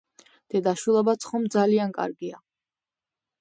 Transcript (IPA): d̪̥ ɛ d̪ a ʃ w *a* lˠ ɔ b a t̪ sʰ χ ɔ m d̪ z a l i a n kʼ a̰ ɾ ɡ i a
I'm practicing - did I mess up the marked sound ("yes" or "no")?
yes